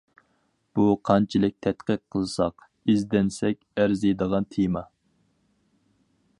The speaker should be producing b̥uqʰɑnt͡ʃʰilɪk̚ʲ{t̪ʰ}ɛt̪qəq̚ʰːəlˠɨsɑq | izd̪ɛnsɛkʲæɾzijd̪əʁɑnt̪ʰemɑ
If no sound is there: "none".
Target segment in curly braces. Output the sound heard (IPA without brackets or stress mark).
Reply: t̪ʰ